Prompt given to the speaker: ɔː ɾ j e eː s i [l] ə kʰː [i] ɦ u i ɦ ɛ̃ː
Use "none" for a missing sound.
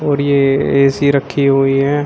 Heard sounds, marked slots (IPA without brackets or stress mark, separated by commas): ɾ, i